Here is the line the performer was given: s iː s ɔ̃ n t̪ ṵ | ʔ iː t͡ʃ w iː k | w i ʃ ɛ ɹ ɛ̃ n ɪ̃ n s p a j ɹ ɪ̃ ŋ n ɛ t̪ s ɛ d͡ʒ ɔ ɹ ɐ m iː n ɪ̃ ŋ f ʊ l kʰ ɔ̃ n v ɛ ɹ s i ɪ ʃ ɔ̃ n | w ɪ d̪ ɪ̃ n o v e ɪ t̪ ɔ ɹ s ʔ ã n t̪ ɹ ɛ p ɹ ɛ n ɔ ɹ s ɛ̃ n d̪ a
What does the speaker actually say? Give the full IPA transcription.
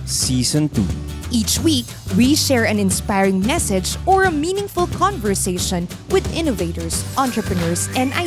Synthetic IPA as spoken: s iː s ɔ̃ n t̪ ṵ | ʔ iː t͡ʃ w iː k | w i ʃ ɛ ɹ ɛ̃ n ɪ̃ n s p a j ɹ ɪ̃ ŋ m ɛ s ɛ d͡ʒ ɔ ɹ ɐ m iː n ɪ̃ ŋ f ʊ l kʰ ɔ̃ n v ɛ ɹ s e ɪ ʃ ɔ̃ n | w ɪ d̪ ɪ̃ n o v e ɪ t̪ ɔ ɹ s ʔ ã n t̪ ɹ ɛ p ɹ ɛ n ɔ ɹ s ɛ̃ n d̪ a